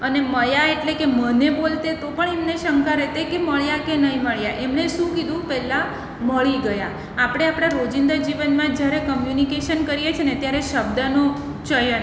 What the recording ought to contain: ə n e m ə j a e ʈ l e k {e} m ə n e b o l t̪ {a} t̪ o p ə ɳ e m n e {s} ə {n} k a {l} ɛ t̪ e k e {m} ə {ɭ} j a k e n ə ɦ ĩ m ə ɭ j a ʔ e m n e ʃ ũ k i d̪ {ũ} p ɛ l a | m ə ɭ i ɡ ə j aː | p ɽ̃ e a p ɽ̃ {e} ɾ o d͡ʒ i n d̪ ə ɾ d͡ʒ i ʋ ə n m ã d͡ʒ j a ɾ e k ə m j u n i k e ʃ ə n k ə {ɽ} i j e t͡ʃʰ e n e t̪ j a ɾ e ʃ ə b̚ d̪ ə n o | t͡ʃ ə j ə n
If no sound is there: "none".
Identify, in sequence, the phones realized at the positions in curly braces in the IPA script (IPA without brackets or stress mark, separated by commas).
e, e, ʃ, ŋ, ɾ, m, ɭ, ũ, a, ɾ